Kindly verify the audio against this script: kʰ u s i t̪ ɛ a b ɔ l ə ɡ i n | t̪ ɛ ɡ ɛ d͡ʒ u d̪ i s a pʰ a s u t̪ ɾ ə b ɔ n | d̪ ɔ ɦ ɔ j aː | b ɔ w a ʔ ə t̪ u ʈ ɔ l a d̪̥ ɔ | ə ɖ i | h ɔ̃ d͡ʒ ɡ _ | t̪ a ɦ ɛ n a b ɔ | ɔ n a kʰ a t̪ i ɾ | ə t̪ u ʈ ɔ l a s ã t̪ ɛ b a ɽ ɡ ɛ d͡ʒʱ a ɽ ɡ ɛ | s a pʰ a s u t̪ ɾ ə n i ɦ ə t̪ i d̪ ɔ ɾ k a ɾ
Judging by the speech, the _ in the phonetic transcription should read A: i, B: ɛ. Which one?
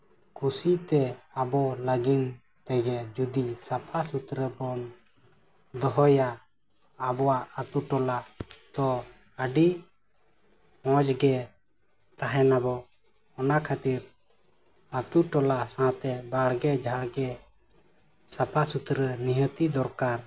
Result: B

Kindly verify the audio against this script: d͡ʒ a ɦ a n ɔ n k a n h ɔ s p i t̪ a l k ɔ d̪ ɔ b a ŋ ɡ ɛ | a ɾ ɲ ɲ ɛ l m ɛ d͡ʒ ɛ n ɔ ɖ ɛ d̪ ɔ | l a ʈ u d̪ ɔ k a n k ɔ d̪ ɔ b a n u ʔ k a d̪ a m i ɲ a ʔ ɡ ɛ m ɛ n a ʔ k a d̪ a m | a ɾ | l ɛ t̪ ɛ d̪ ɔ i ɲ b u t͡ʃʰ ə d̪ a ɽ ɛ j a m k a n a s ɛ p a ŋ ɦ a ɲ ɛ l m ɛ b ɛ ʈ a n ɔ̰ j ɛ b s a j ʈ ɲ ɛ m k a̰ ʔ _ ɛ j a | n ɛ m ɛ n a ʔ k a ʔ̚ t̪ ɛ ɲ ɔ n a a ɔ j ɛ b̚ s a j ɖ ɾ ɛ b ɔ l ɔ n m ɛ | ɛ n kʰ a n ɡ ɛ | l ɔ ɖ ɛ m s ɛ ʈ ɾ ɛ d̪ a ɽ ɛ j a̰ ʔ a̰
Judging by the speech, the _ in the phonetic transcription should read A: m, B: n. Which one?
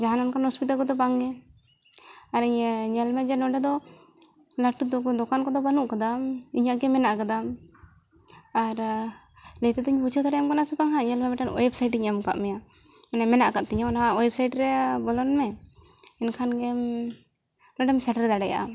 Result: A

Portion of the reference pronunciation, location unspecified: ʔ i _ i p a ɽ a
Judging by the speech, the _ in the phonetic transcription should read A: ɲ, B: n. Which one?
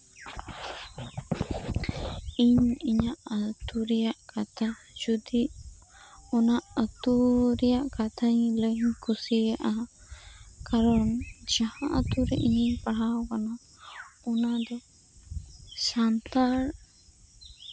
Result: A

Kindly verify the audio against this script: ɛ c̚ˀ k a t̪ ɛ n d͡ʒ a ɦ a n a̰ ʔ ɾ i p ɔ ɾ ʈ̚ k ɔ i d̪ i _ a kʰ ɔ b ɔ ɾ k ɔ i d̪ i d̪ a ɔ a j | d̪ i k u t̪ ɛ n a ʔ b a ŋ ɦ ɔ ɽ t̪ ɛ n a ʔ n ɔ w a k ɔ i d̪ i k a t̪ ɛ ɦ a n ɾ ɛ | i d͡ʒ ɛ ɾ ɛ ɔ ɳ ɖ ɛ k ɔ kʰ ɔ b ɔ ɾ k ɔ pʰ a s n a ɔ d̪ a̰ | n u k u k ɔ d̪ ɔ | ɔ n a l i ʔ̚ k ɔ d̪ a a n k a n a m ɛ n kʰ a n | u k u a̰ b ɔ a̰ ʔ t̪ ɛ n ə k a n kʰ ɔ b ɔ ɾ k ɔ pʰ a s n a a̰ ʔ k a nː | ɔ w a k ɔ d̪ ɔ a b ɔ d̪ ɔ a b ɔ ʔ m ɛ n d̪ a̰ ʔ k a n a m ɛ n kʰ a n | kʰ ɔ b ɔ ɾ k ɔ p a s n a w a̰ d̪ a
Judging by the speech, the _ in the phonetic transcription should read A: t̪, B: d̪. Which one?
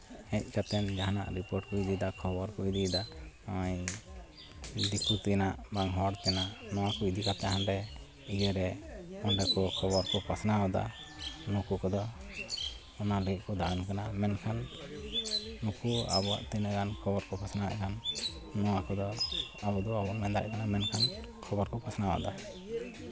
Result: B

